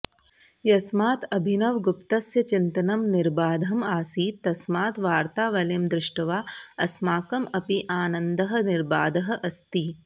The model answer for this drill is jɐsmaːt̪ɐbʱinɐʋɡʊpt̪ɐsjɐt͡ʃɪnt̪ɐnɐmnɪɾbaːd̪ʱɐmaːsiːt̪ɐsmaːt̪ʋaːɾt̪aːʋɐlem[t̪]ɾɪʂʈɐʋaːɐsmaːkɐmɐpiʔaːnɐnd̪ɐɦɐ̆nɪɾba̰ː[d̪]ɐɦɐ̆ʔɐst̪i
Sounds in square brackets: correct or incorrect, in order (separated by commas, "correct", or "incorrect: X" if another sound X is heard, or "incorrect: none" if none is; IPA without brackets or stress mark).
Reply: incorrect: d̪, correct